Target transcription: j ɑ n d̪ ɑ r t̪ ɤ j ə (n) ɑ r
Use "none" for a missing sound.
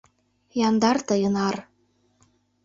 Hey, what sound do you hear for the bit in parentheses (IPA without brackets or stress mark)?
n